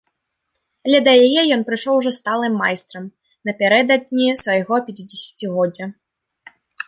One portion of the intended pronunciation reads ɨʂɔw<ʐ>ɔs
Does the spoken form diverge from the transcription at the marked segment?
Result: no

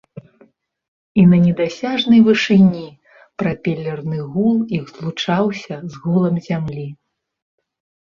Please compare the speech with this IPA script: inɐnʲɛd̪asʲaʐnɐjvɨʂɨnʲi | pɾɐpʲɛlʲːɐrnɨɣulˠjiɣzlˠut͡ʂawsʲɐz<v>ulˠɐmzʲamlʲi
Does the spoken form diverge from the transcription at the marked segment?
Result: yes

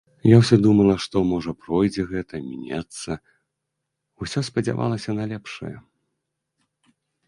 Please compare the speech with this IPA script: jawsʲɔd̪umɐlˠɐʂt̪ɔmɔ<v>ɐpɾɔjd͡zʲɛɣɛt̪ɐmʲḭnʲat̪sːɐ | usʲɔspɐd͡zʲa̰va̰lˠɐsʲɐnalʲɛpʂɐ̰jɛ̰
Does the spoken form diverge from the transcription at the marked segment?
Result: yes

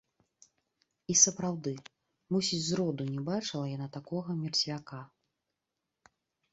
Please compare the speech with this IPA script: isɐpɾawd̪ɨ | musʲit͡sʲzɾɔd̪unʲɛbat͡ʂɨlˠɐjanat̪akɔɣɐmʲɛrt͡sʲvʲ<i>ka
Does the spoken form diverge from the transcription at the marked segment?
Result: yes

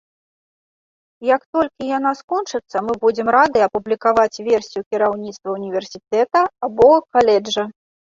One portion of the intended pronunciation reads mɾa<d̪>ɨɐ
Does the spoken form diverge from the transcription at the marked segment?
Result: no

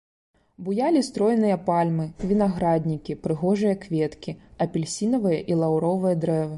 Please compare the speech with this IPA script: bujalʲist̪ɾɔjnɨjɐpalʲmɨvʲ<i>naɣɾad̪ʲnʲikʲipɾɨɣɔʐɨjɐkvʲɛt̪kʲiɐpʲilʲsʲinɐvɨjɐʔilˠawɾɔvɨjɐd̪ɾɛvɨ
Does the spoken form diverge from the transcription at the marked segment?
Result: no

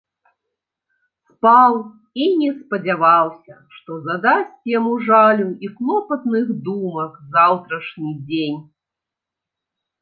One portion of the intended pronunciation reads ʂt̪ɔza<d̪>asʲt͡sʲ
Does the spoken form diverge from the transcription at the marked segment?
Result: no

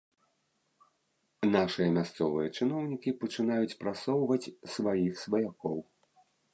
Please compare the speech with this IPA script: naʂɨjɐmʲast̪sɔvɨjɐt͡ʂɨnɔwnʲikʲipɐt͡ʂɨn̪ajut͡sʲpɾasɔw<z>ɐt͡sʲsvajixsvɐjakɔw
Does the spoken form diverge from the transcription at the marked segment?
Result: yes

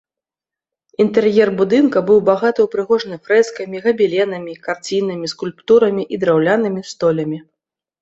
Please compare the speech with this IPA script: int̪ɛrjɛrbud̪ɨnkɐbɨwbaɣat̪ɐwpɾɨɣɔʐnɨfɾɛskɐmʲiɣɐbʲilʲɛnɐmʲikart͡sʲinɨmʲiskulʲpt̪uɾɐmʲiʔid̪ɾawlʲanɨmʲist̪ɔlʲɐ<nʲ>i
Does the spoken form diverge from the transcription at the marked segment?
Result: yes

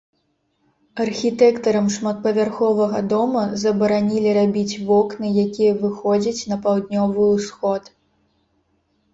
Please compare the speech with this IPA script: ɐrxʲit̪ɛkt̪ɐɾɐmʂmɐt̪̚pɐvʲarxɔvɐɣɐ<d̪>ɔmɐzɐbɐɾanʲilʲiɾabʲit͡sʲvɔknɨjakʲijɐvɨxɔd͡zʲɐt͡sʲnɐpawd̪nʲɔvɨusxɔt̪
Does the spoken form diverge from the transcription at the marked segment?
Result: no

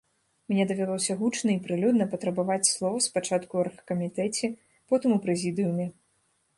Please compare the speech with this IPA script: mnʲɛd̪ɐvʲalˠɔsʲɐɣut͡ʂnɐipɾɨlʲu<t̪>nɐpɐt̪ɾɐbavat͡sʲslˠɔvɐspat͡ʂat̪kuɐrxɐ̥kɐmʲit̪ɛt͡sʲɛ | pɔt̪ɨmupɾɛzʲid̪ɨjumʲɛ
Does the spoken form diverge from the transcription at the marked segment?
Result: yes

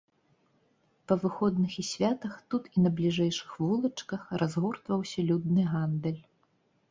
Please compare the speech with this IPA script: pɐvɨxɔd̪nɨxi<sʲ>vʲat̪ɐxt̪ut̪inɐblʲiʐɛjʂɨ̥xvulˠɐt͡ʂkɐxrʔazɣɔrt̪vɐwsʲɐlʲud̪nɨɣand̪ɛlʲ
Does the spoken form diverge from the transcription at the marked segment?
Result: no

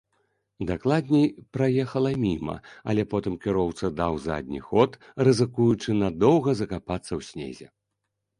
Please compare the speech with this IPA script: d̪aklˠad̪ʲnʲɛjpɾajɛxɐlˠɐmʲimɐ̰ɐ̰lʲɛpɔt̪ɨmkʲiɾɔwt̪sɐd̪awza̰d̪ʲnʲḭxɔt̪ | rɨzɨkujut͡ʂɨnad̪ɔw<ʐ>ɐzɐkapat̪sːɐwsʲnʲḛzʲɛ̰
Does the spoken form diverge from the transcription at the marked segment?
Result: yes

